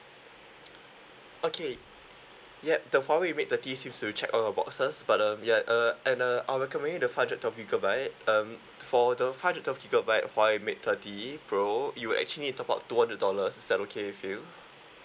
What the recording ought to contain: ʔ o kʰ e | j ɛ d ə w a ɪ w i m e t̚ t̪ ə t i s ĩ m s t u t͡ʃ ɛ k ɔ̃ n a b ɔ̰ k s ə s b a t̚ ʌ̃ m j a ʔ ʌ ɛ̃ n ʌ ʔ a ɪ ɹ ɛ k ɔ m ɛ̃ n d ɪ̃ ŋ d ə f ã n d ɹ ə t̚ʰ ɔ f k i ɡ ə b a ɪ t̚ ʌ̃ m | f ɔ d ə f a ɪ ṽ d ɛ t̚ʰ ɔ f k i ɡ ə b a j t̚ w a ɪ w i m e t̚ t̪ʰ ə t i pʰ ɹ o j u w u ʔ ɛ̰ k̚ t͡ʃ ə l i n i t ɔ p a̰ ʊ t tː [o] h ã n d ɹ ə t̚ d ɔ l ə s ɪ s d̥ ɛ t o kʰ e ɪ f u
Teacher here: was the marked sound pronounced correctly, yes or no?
no